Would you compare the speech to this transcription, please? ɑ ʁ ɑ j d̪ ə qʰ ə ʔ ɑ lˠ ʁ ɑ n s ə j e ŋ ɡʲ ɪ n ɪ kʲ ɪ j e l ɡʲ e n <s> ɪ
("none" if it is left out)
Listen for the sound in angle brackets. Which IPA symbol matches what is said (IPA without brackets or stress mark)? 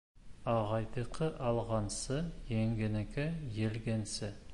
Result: s